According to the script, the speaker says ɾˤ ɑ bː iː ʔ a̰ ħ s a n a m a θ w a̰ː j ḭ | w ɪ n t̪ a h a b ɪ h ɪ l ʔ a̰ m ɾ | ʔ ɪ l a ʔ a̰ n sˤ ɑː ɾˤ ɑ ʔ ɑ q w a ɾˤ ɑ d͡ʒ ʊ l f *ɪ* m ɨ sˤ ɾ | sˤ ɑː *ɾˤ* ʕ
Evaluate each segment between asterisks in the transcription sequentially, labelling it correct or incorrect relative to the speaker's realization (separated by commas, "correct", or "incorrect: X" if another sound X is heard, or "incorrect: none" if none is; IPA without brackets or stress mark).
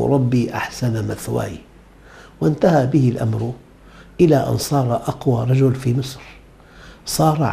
incorrect: i, correct